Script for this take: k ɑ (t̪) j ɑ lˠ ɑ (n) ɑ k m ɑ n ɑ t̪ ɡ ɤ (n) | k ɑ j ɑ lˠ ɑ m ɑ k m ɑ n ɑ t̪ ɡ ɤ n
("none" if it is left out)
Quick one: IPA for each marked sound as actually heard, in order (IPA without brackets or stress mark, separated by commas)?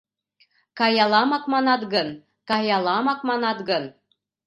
none, m, n